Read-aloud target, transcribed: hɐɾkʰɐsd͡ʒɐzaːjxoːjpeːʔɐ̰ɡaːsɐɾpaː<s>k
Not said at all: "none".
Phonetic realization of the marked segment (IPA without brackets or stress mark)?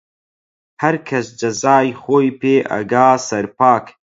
none